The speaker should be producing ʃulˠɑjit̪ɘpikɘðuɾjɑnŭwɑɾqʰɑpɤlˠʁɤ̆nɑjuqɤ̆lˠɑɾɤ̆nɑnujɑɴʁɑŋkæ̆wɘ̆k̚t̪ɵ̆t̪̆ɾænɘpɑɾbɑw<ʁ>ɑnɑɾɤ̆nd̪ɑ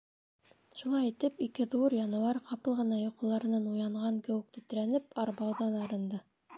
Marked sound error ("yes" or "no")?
yes